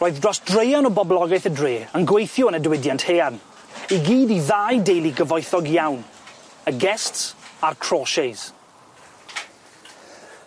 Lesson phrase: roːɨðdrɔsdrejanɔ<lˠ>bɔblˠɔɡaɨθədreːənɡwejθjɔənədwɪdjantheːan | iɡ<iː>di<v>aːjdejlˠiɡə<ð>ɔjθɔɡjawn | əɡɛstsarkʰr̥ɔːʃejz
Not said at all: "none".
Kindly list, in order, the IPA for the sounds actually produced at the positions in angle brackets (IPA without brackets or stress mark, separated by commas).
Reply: none, iː, ð, v